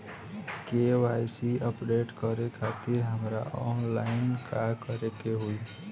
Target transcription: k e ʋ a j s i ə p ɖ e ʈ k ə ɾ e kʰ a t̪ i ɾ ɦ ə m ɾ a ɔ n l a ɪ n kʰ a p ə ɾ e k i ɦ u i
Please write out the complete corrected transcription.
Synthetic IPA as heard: k e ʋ a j s i ə p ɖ e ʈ k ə ɾ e kʰ a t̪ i ɾ ɦ ə m ɾ a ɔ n l a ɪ n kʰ a k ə ɾ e k e ɦ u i